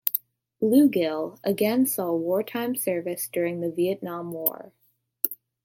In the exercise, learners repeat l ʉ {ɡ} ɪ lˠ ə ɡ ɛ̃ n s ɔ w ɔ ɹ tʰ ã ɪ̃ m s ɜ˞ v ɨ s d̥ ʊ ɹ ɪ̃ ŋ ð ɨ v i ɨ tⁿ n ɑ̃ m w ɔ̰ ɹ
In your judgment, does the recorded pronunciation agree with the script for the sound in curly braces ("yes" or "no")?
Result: yes